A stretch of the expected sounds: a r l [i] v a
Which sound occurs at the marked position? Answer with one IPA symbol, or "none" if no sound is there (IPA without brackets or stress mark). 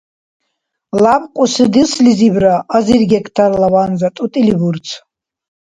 a